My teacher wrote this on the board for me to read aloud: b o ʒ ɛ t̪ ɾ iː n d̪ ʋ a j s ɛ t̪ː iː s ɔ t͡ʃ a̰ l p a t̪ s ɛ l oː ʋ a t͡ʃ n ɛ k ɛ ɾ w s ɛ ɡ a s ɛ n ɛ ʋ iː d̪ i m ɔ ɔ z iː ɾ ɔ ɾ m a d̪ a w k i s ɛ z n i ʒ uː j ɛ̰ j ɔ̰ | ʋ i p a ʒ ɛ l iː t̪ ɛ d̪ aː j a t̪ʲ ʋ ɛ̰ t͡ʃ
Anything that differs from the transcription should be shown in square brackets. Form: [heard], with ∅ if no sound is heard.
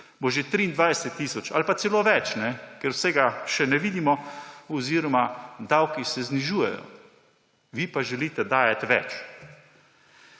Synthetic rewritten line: b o ʒ [e] t̪ ɾ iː n d̪ ʋ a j s ɛ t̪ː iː s ɔ t͡ʃ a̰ l p a t̪ s ɛ l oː ʋ [ɛ] t͡ʃ n ɛ k ɛ ɾ w s ɛ ɡ a [ʃ] ɛ n ɛ ʋ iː d̪ i m ɔ ɔ z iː ɾ ɔ [∅] m a d̪ a w k i s ɛ z n i ʒ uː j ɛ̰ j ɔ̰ | ʋ i p a ʒ ɛ l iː t̪ ɛ d̪ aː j a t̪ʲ ʋ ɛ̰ t͡ʃ

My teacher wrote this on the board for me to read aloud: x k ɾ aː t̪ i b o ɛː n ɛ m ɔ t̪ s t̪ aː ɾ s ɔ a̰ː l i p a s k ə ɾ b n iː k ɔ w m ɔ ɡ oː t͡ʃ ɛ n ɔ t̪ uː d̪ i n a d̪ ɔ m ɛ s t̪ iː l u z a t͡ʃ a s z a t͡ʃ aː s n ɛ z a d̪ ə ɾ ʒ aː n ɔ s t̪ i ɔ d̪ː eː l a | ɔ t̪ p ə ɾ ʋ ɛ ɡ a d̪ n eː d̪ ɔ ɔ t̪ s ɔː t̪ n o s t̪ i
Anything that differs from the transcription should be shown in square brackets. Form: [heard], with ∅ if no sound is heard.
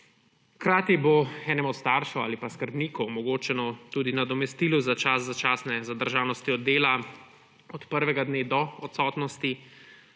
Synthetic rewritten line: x k ɾ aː t̪ i b o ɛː n ɛ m ɔ t̪ s t̪ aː ɾ [ʃ] ɔ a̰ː l i p a s k ə ɾ b n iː k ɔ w m ɔ ɡ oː t͡ʃ ɛ n ɔ t̪ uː d̪ i n a d̪ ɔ m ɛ s t̪ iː l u z a t͡ʃ a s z a t͡ʃ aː s n ɛ z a d̪ ə ɾ ʒ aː n ɔ s t̪ i ɔ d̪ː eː l a | ɔ t̪ p ə ɾ ʋ ɛ ɡ a d̪ n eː d̪ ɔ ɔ t̪ s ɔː t̪ n [ɔ] s t̪ i

